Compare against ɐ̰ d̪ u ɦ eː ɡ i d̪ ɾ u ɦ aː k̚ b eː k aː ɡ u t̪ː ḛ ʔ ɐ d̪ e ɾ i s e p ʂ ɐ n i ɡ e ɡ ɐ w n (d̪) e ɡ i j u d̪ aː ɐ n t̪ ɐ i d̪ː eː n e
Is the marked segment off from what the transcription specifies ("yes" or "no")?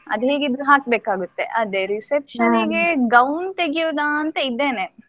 yes